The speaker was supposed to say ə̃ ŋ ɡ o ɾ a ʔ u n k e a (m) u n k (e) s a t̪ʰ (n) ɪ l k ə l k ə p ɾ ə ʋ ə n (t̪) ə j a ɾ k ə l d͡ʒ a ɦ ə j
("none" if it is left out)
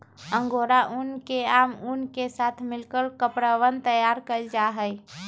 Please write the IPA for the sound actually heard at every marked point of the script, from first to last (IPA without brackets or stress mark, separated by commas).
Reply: m, e, m, t̪